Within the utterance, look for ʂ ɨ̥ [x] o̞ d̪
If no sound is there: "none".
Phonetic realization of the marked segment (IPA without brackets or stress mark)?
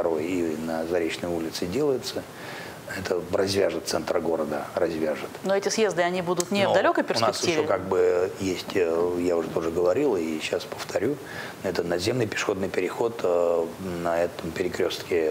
x